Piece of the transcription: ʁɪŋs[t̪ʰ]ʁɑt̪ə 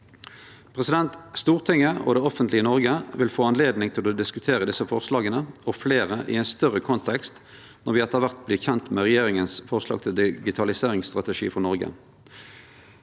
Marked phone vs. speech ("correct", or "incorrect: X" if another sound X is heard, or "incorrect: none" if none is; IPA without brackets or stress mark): incorrect: t̪